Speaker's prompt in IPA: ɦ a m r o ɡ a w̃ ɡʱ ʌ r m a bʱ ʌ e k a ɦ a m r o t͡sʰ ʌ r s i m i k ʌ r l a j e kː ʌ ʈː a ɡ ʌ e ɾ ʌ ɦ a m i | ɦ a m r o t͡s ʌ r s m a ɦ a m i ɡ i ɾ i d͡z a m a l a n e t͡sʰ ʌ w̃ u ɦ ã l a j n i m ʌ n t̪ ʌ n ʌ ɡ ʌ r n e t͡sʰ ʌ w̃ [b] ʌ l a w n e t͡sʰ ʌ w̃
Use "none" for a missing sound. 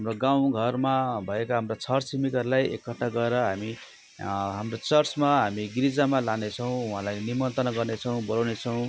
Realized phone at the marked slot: b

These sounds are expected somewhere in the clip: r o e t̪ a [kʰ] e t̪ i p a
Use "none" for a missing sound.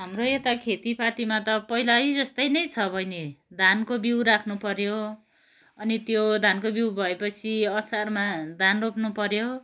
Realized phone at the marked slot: kʰ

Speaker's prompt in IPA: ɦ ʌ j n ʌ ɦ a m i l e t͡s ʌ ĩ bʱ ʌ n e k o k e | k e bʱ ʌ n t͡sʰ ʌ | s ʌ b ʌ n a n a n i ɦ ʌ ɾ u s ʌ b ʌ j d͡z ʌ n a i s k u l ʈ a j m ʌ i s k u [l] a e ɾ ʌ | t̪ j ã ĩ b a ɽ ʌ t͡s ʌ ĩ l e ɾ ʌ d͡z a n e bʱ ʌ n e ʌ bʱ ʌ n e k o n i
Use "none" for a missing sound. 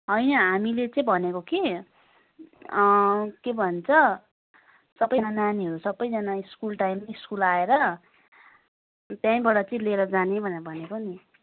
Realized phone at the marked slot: l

